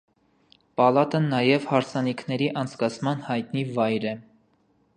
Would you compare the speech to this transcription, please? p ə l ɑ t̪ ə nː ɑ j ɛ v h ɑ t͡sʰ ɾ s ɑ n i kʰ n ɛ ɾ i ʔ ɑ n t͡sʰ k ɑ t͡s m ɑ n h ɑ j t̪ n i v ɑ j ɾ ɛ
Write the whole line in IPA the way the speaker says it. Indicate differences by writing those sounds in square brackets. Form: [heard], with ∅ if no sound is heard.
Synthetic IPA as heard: p [ɑ] l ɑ t̪ ə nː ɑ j ɛ v h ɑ [∅] ɾ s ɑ n i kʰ n ɛ ɾ i ʔ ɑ n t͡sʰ k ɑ [t͡sʰ] m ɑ n h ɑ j t̪ n i v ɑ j ɾ ɛ